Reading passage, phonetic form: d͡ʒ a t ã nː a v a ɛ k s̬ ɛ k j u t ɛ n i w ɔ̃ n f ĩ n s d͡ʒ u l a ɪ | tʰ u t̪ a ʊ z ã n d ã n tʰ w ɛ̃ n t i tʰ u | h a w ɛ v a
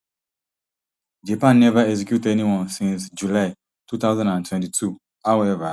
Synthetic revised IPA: d͡ʒ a p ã nː ɛ v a ɛ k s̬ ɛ k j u t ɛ n i w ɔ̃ n s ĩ n s d͡ʒ u l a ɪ | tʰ u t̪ a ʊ z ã n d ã n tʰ w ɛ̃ n t i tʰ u | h a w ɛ v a